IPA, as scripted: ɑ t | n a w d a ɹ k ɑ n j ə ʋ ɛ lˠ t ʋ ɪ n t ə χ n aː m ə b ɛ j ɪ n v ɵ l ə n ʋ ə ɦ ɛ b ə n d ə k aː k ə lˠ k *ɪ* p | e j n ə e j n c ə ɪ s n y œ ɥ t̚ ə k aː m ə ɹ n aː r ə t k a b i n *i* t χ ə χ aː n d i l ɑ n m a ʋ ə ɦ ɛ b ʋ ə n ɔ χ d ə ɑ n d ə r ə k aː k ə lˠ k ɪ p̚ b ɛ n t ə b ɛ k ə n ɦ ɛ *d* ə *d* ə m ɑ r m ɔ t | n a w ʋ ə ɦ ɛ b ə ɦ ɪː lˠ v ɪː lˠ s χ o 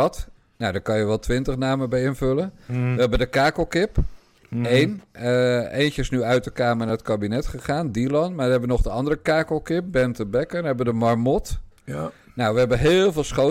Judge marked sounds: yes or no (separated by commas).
yes, no, no, yes